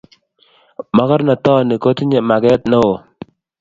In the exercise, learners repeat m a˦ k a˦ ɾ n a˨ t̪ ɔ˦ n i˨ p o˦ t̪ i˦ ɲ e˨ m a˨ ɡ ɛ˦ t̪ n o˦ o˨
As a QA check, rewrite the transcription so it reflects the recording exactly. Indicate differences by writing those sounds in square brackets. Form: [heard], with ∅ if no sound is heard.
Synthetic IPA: m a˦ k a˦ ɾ n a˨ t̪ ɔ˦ n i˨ [k] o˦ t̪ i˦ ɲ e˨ m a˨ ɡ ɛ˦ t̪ n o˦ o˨